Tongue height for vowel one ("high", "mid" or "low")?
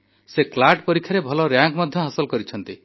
mid